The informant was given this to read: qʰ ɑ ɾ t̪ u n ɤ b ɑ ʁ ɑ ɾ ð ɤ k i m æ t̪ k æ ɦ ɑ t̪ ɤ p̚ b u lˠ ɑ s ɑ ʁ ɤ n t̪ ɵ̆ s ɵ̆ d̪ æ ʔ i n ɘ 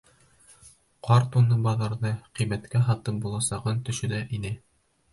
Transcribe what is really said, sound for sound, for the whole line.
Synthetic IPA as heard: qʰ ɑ ɾ t̪ u n ɤ b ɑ ð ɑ ɾ ð ɤ q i m æ t̪ k æ ɦ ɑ t̪ ɤ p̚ b u lˠ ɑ s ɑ ʁ ɤ n t̪ ɵ̆ ʃ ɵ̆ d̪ æ ʔ i n ɘ

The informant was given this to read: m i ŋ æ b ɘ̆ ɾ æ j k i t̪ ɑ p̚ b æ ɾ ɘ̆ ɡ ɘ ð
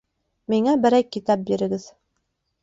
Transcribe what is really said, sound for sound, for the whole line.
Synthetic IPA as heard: m i ŋ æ b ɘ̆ ɾ æ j k i t̪ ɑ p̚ b i ɾ ɘ̆ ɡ ɘ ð

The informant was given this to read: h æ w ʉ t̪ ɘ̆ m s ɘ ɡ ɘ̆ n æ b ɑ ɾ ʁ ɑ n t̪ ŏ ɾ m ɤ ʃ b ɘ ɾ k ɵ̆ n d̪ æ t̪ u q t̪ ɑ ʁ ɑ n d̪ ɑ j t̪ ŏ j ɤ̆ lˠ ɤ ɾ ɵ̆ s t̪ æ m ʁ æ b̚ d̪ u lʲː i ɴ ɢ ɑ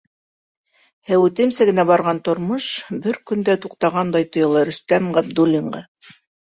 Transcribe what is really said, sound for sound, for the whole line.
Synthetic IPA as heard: h æ w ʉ t̪ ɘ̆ m s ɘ ɡ ɘ̆ n æ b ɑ ɾ ʁ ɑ n t̪ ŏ ɾ m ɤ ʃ b ɘ ɾ k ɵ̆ n d̪ æ t̪ u q t̪ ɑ ʁ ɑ n d̪ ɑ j t̪ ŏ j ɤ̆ lˠ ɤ ɾ ɵ̆ s t̪ æ m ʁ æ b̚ d̪ u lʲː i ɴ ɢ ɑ

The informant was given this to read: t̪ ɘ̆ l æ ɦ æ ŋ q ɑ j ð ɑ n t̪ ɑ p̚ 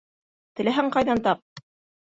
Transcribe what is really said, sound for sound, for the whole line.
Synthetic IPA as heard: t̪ ɘ̆ l æ ɦ æ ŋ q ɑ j ð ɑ n t̪ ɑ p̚

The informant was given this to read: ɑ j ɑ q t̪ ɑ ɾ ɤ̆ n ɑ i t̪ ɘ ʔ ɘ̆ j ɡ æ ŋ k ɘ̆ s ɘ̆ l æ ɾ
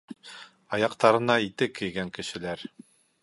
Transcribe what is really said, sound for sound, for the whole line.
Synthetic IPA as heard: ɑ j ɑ q t̪ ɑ ɾ ɤ̆ n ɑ i t̪ ɘ k ɘ̆ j ɡ æ ŋ k ɘ̆ ʃ ɘ̆ l æ ɾ

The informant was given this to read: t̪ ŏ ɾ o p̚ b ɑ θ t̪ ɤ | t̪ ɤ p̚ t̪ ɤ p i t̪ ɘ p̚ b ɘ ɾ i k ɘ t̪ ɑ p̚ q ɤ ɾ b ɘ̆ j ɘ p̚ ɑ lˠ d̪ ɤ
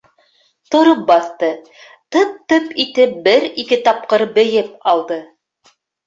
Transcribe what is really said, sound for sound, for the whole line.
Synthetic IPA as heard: t̪ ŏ ɾ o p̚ b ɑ θ t̪ ɤ | t̪ ɤ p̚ t̪ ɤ p i t̪ ɘ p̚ b ɘ ɾ i k ɘ t̪ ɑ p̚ q ɤ ɾ b ɘ̆ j ɘ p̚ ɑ lˠ d̪ ɤ

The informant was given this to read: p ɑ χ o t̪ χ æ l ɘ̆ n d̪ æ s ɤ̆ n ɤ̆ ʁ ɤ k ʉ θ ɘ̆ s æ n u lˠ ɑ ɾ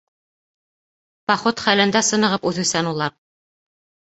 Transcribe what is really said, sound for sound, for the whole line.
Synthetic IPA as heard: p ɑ χ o t̪ χ æ l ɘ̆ n d̪ æ s ɤ̆ n ɤ̆ ʁ ɤ p ʉ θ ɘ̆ s æ n u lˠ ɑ ɾ

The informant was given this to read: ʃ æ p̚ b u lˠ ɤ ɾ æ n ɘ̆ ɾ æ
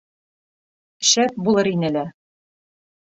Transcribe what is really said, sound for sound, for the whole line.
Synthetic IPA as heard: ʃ æ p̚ b u lˠ ɤ ɾ i n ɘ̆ l æ

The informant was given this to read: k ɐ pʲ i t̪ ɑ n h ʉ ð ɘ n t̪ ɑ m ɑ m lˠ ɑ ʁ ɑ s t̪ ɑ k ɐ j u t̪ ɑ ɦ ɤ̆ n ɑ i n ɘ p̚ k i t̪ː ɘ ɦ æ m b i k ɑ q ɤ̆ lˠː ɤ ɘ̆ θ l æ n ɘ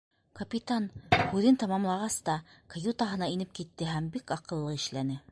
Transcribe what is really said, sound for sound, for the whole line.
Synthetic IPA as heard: k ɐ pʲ i t̪ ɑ n h ʉ ð ɘ n t̪ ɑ m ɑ m lˠ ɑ ʁ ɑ s t̪ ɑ k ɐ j u t̪ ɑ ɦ ɤ̆ n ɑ i n ɘ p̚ k i t̪ː ɘ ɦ æ m b i k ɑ q ɤ̆ lˠː ɤ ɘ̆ ʃ l æ n ɘ

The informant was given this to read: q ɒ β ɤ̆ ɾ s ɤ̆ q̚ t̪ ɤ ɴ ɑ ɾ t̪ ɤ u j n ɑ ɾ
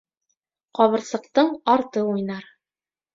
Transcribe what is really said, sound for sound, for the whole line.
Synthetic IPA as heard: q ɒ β ɤ̆ ɾ s ɤ̆ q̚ t̪ ɤ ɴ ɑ ɾ t̪ ɤ u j n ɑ ɾ

